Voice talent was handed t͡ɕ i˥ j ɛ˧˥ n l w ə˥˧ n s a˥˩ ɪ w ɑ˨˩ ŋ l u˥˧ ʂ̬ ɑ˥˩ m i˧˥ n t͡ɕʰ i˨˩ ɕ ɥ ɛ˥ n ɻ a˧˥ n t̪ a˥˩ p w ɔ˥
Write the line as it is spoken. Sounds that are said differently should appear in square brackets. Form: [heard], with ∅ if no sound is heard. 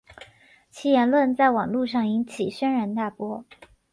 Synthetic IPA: [t͡ɕʰ] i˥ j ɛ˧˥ n l w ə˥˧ n [t͡s] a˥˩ ɪ w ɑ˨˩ ŋ l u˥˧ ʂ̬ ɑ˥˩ [ŋ] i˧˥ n t͡ɕʰ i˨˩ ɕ ɥ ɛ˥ n ɻ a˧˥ n t̪ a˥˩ p w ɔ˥